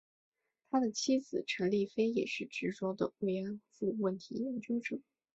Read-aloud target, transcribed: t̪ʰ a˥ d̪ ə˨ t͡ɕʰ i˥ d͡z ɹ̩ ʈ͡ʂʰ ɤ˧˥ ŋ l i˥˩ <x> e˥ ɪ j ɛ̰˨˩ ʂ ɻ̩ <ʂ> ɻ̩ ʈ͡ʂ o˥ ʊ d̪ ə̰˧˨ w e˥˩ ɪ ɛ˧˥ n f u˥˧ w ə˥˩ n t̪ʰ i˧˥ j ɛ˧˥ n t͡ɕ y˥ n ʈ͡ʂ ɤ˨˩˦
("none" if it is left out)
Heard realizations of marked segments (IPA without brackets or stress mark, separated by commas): f, ʈ͡ʂ